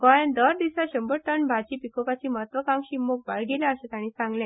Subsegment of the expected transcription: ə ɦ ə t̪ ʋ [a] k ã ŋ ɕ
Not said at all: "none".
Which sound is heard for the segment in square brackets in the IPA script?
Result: ə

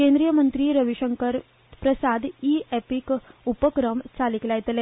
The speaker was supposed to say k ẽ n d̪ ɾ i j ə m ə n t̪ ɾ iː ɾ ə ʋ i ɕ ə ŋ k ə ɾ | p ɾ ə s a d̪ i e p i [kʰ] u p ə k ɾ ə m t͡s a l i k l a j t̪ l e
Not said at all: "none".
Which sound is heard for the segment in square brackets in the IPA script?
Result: k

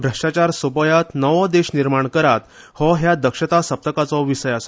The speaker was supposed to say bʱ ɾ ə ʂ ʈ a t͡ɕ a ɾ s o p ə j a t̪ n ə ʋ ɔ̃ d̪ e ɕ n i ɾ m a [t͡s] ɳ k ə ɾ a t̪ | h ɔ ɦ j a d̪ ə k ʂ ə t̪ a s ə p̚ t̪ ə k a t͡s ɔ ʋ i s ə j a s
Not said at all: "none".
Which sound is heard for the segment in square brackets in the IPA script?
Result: none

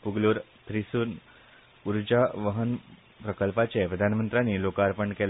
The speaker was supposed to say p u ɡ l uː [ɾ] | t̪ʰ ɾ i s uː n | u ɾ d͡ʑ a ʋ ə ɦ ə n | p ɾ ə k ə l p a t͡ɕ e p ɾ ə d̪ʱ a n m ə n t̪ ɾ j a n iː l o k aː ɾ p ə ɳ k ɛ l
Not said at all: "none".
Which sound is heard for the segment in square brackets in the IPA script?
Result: ɾ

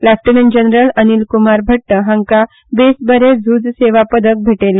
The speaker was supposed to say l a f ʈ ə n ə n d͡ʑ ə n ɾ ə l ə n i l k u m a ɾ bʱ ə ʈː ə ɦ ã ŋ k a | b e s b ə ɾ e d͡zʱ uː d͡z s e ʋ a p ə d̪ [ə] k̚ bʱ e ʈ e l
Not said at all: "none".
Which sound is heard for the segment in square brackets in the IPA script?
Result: ə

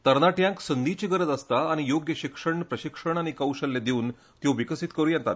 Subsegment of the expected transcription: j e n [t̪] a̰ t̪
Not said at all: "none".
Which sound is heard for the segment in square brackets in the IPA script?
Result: t̪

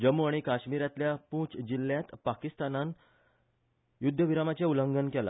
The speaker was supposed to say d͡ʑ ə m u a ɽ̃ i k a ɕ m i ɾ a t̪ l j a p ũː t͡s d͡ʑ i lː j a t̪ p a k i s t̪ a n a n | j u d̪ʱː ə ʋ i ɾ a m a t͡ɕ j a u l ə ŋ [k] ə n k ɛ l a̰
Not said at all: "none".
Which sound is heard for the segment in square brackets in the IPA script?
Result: ɡ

